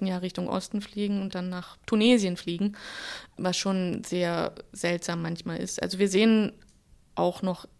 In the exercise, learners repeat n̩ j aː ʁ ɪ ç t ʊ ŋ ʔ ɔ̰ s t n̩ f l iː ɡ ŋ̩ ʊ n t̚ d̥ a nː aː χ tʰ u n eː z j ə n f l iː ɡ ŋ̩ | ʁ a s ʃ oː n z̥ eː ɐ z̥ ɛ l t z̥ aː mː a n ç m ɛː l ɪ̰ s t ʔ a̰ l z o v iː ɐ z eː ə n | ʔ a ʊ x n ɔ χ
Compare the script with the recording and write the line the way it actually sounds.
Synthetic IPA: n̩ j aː ʁ ɪ ç t ʊ ŋ ʔ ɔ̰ s t n̩ f l iː ɡ ŋ̩ ʊ n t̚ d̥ a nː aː χ tʰ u n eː z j ə n f l iː ɡ ŋ̩ | v a s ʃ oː n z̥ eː ɐ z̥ ɛ l t z̥ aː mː a n ç m aː l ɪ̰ s t ʔ a̰ l z o v iː ɐ z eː ə n | ʔ a ʊ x n ɔ χ